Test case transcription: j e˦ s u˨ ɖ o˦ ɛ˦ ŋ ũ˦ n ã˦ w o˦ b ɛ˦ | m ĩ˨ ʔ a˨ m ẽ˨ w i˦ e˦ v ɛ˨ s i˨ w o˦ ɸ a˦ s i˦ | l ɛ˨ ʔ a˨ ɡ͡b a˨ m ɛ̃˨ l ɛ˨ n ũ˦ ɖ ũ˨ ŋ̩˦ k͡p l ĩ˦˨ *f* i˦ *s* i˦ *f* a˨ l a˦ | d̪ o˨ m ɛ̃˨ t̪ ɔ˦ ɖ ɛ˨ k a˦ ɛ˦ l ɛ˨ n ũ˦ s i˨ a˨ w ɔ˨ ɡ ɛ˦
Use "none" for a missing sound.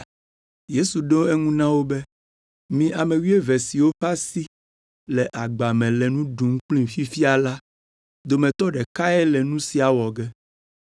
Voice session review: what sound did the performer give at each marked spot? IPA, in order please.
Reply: f, f, none

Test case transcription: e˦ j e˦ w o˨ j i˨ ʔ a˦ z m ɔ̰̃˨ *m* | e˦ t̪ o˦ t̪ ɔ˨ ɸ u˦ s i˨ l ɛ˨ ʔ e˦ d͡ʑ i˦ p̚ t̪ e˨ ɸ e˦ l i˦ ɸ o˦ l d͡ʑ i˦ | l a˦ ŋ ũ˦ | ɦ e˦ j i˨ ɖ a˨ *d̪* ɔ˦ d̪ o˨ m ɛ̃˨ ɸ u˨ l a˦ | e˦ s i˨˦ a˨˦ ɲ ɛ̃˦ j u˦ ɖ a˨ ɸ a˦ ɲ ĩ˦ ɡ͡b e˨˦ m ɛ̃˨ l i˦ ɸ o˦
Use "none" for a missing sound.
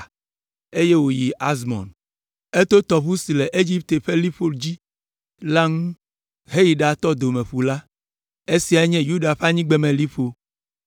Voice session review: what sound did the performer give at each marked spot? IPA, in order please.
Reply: n, t̪

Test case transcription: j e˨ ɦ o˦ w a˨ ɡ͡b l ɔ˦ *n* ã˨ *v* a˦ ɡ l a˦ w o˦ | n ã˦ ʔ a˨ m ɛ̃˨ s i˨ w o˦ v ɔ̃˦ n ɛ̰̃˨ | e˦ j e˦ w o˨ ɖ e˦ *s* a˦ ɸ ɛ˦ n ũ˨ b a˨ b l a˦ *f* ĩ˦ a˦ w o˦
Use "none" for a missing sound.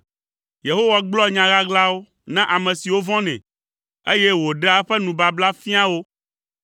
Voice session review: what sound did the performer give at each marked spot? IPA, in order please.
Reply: ɲ, ɣ, none, f

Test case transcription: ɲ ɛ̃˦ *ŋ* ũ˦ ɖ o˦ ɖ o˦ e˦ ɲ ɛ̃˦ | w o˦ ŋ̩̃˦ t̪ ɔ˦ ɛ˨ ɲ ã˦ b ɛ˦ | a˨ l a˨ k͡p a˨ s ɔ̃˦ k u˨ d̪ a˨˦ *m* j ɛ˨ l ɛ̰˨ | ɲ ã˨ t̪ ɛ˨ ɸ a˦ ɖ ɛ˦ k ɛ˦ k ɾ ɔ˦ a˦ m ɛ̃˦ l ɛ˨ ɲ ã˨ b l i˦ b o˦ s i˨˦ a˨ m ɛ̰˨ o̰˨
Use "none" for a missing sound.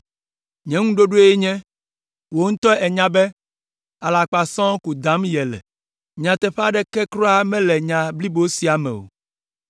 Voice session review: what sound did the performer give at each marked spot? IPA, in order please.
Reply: ŋ, m

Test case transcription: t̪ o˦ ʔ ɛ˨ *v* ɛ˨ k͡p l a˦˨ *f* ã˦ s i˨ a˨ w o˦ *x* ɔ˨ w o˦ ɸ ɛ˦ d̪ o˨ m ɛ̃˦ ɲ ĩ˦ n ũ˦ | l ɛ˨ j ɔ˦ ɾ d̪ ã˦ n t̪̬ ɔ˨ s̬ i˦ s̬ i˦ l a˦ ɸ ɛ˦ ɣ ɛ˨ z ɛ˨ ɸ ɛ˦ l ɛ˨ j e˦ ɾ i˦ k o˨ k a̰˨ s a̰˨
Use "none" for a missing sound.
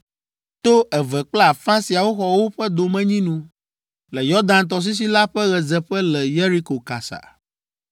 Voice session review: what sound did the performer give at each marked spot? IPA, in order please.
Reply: v, f, x

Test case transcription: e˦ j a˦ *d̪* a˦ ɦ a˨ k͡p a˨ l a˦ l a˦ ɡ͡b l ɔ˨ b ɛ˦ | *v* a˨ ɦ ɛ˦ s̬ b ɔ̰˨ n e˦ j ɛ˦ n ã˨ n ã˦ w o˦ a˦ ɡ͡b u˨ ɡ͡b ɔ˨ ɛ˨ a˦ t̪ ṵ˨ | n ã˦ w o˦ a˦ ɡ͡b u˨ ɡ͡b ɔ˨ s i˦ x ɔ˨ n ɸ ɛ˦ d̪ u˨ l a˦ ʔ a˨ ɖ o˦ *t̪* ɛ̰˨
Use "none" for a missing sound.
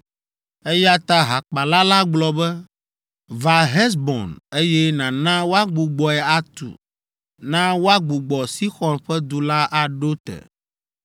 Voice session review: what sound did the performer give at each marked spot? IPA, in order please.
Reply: t̪, v, t̪

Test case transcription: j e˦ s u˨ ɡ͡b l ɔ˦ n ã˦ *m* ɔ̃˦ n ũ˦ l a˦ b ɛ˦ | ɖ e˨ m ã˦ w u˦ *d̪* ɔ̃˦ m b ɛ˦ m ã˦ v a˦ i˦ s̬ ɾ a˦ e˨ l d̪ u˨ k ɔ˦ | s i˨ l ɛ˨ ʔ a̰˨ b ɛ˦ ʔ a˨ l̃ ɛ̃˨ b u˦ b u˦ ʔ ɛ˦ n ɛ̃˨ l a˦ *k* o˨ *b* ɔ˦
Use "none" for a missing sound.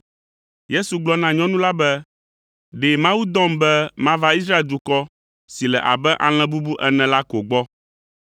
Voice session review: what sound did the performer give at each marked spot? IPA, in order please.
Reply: ɲ, d̪, k, ɡ͡b

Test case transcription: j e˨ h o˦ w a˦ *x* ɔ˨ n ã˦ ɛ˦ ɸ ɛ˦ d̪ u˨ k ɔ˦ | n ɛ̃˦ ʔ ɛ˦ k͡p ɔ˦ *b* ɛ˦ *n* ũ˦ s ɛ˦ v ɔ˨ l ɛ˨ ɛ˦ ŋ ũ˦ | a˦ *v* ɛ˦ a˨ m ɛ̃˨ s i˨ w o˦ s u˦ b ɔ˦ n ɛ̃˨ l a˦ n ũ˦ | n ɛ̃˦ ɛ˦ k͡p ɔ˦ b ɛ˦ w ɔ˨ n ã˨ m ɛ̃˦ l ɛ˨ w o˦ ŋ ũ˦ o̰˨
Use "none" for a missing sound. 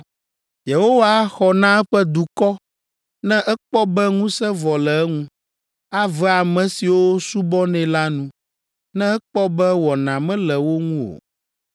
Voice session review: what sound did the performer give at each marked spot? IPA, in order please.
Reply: x, b, ŋ, v

